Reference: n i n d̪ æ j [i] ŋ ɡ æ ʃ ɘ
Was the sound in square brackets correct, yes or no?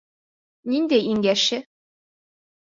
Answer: yes